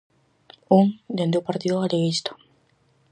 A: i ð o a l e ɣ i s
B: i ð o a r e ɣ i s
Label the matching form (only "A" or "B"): A